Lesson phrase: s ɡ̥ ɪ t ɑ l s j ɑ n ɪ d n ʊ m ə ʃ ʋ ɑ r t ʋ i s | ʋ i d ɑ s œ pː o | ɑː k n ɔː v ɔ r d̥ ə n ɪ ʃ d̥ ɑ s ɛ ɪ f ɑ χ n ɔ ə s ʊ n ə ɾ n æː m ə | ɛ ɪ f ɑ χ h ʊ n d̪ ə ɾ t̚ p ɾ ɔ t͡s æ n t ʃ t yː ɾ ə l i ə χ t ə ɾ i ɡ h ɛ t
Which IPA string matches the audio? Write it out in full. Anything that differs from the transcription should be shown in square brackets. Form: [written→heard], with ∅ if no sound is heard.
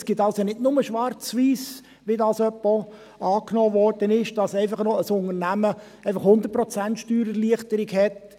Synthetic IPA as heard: s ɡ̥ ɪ t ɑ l s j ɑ n ɪ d n ʊ m ə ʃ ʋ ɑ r [t→t͡s] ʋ [i→iː] s | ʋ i d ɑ s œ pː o | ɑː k n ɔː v ɔ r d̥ ə n ɪ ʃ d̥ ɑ s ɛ ɪ f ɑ χ n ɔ ə s ʊ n ə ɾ n [æː→æ] m ə | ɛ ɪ f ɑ χ h ʊ n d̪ ə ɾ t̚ p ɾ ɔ t͡s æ n t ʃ t yː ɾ ə l i ə χ t ə ɾ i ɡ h ɛ t